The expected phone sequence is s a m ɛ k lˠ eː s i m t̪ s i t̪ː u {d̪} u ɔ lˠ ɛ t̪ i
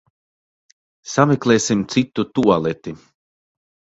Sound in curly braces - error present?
yes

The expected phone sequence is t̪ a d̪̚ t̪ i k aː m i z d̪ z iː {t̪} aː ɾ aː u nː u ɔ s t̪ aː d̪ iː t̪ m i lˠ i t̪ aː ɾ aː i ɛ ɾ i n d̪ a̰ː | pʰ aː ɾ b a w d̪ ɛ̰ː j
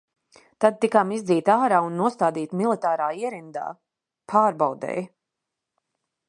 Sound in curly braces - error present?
no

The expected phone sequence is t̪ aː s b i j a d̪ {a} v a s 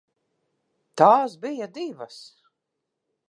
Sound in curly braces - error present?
yes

